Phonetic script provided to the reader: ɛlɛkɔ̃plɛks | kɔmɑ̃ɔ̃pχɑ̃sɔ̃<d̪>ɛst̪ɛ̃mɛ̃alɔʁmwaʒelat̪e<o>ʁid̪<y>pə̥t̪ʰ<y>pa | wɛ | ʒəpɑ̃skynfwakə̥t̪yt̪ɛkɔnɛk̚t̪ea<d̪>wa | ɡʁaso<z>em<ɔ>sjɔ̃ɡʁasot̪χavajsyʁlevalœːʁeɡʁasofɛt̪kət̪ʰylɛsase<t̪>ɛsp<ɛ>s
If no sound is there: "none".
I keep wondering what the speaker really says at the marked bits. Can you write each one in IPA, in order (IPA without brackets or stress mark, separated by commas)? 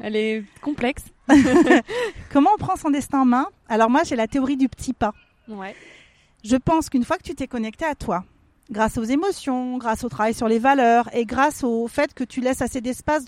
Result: d̪, ɔ, y, i, t̪, z, ɔ, d̪, a